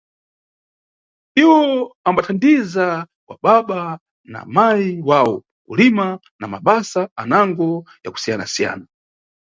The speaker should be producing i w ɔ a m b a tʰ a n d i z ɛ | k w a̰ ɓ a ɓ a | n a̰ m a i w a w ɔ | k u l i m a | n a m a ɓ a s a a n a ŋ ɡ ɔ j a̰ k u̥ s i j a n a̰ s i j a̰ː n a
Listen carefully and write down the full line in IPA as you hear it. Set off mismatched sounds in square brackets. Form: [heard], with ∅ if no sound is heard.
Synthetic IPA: i w ɔ a m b a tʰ a n d i z [a] | k w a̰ ɓ a ɓ a | n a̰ m a i w a w ɔ | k u l i m a | n a m a ɓ a s a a n a ŋ ɡ ɔ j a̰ k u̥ s i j a n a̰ s i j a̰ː n a